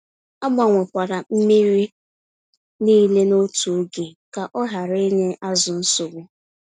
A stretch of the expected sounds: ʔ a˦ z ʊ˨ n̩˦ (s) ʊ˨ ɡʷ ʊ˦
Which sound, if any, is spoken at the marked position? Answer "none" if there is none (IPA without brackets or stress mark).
s